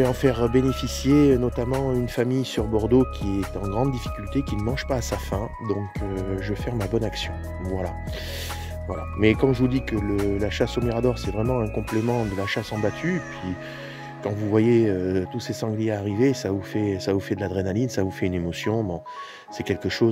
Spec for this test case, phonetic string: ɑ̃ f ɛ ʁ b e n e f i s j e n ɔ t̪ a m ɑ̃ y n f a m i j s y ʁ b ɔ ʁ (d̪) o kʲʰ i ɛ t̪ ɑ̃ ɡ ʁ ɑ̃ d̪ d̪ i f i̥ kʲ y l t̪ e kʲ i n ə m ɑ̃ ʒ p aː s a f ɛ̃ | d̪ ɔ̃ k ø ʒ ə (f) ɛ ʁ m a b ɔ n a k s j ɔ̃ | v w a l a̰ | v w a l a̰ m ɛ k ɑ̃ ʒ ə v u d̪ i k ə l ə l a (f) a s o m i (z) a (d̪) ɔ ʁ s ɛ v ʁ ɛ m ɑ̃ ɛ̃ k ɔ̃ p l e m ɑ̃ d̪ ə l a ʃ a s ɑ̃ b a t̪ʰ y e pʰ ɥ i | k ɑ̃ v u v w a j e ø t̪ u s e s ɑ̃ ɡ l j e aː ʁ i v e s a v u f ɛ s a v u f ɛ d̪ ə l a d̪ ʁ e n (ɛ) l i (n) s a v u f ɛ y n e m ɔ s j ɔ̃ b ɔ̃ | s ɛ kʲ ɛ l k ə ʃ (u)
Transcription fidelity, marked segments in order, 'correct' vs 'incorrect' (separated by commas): correct, correct, incorrect, incorrect, correct, incorrect, correct, incorrect